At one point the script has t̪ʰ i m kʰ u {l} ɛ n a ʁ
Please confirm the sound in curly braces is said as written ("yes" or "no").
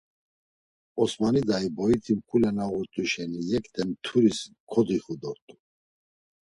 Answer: yes